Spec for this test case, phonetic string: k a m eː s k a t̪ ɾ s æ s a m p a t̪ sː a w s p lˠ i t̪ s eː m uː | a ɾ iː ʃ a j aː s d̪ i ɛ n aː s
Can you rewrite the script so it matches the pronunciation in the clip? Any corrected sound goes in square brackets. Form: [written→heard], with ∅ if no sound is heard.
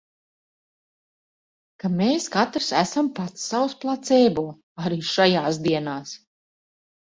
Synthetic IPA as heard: k a m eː s k a t̪ ɾ s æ s a m p a t̪ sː a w s p lˠ [i→a] t̪ s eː [m→b] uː | a ɾ iː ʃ a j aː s d̪ i ɛ n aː s